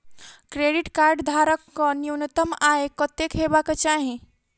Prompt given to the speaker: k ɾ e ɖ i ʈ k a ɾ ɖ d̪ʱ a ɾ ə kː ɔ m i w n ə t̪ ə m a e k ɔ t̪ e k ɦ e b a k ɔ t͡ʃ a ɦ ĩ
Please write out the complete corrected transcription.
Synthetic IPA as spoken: k ɾ e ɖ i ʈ k a ɾ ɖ d̪ʱ a ɾ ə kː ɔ n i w n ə t̪ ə m a e k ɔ t̪ e k ɦ e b a k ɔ t͡ʃ a ɦ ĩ